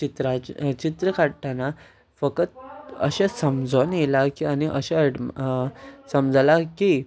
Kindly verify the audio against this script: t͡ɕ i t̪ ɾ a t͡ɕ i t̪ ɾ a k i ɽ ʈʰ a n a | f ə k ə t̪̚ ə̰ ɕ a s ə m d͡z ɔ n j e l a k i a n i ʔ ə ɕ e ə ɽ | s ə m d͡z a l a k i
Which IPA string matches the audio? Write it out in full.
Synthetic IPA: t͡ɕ i t̪ ɾ a t͡ɕ i t̪ ɾ ə k a ɽ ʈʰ a n a | f ə k ə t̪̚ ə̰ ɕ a s ə m d͡z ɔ n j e l a k i a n i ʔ ə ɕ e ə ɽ | s ə m d͡z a l a k i